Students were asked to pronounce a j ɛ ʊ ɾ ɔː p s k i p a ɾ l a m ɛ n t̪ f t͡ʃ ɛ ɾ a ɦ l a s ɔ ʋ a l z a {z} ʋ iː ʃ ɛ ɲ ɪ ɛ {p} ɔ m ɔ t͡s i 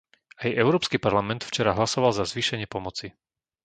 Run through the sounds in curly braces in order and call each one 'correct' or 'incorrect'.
correct, correct

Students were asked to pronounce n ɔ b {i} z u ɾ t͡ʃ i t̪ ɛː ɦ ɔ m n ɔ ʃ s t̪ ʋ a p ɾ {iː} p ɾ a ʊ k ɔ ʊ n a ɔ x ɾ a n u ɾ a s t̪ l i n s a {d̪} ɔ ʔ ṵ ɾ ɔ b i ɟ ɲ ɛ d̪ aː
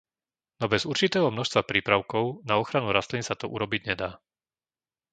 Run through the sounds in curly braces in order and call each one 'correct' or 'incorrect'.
incorrect: ɛ, correct, incorrect: t̪

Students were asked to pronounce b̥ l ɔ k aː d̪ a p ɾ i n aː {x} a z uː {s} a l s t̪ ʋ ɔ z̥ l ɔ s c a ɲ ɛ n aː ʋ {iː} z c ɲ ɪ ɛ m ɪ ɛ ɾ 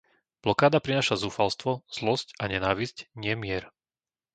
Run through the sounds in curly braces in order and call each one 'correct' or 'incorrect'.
incorrect: ʃ, incorrect: f, incorrect: i

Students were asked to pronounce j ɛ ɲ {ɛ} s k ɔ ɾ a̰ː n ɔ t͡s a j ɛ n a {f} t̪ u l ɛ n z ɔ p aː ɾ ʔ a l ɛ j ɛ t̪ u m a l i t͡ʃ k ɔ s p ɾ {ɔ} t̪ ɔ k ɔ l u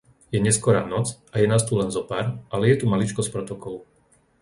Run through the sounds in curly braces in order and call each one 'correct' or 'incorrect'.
correct, incorrect: s, correct

